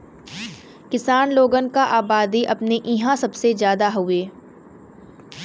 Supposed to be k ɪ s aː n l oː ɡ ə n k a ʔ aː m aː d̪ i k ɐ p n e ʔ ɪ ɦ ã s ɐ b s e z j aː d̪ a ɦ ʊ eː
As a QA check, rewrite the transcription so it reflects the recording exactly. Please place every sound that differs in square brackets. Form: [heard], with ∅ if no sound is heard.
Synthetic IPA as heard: k ɪ s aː n l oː ɡ ə n k a ʔ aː [b] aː d̪ i [ʔ] ɐ p n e ʔ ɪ ɦ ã s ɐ b s e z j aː d̪ a ɦ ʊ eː